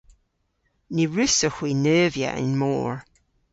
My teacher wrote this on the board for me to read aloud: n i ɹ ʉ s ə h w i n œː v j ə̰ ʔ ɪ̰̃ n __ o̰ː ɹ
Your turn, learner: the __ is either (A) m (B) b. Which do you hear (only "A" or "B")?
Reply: A